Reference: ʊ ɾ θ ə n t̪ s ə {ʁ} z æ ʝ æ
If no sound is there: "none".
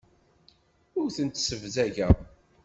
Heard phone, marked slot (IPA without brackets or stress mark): v